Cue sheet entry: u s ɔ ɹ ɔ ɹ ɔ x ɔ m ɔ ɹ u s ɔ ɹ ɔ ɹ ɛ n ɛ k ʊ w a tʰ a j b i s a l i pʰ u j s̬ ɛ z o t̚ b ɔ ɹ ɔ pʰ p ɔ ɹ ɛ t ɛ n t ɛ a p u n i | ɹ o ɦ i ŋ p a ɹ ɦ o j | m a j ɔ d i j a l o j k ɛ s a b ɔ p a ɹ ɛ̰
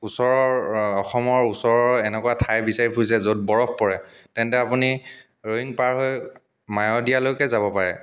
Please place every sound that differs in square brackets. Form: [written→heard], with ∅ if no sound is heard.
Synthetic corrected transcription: u s ɔ ɹ ɔ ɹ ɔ x ɔ m ɔ ɹ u s ɔ ɹ ɔ ɹ ɛ n ɛ k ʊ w a tʰ a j b i s a [l→ɹ] i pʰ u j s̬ ɛ z o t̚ b ɔ ɹ ɔ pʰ p ɔ ɹ ɛ t ɛ n t ɛ a p u n i | ɹ o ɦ i ŋ p a ɹ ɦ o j | m a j ɔ d i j a l o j k ɛ [s→z] a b ɔ p a ɹ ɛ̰